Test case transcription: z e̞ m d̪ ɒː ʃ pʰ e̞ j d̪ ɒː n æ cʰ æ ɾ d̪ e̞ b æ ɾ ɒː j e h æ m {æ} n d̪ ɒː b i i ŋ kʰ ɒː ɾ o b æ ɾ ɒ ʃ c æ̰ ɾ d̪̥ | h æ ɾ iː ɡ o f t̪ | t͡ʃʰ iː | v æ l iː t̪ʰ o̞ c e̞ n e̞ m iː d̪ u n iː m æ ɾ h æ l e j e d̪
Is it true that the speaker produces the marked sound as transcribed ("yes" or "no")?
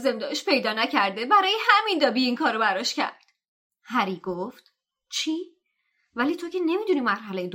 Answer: no